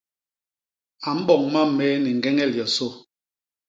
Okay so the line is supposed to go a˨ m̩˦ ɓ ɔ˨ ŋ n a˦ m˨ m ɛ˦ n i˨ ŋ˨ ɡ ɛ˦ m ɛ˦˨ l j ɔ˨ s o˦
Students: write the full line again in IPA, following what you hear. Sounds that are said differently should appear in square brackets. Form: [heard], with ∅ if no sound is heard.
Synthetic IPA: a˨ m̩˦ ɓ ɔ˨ ŋ [m] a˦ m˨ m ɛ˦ n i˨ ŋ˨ ɡ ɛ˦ [ŋ] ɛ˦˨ l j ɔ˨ s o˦